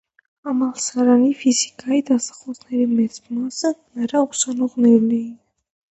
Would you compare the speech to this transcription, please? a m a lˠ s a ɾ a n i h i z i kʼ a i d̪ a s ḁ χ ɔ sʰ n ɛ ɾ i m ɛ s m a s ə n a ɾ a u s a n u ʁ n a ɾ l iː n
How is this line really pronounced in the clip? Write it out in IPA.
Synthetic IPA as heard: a m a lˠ s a ɾ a n i f i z i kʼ a i d̪ a s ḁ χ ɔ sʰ n ɛ ɾ i m ɛ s m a s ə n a ɾ a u s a n ɔ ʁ n ɛ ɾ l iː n